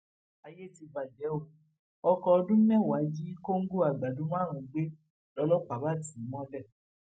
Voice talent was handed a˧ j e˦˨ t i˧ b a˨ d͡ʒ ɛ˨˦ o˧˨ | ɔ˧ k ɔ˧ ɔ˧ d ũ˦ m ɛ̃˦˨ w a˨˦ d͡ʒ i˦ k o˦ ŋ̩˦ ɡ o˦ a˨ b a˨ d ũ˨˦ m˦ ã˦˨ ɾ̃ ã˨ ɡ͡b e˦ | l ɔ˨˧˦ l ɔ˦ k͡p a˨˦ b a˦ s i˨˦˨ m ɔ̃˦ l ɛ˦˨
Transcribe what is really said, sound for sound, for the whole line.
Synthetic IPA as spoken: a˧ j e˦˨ t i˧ b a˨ d͡ʒ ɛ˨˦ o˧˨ | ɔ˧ k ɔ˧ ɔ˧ d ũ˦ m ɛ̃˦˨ w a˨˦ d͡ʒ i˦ k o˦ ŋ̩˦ ɡ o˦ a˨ ɡ͡b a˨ d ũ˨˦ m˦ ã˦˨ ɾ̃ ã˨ ɡ͡b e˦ | l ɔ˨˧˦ l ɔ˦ k͡p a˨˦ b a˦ t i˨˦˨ m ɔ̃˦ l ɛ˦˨